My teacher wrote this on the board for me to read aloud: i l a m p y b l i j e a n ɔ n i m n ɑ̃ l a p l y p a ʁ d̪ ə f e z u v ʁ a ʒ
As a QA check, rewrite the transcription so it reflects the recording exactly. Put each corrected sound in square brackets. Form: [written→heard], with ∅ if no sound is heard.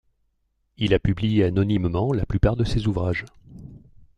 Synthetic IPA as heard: i l a [m→∅] p y b l i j e a n ɔ n i m [n→m] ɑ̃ l a p l y p a ʁ d̪ ə [f→s] e z u v ʁ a ʒ